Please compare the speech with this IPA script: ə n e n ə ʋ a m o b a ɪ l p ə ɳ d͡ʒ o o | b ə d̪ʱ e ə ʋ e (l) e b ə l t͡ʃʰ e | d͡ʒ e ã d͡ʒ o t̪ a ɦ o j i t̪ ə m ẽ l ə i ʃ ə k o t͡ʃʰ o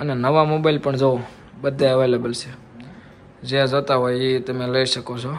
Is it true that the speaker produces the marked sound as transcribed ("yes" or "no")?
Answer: yes